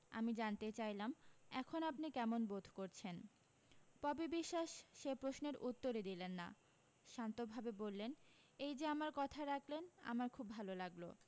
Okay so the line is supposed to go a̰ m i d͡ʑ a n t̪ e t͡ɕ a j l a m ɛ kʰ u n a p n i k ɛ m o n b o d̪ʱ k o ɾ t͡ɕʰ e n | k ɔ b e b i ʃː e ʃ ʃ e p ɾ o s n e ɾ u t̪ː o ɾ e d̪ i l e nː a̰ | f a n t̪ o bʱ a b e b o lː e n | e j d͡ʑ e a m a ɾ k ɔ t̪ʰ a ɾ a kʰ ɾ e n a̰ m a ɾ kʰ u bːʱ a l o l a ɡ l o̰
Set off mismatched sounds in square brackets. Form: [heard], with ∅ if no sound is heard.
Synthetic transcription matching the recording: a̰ m i d͡ʑ a n t̪ e t͡ɕ a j l a m ɛ kʰ [o] n a p n i k ɛ m o n b o d̪ʱ k o ɾ t͡ɕʰ e n | [p] ɔ b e b i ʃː [a] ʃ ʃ e p ɾ o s n e ɾ u t̪ː o ɾ e d̪ i l e nː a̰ | [ʃ] a n t̪ o bʱ a b e b o lː e n | e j d͡ʑ e a m a ɾ k ɔ t̪ʰ a ɾ a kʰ [l] e n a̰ m a ɾ kʰ u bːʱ a l o l a ɡ l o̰

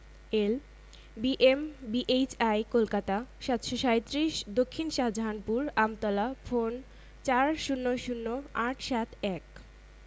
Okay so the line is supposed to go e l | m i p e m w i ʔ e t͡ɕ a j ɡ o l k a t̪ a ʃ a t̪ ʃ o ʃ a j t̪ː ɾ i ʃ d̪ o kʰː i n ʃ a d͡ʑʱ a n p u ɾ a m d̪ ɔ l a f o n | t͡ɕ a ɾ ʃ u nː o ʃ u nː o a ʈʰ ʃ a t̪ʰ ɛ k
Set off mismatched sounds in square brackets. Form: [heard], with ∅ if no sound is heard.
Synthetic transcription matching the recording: e l | [b] i [ʔ] e m [b] i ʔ e t͡ɕ a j [k] o l k a t̪ a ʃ a t̪ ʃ o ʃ a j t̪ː ɾ i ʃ d̪ o kʰː i n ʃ a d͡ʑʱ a n p u ɾ a m [t̪] ɔ l a f o n | t͡ɕ a ɾ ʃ u nː o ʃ u nː o a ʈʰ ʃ a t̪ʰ ɛ k

